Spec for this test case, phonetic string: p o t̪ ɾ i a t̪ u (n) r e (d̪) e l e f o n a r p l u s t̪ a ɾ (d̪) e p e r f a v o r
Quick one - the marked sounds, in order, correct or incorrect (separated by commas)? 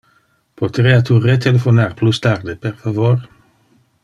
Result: incorrect, incorrect, correct